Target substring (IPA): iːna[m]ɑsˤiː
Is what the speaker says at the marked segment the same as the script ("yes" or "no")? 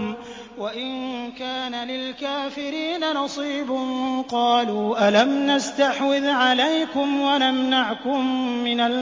no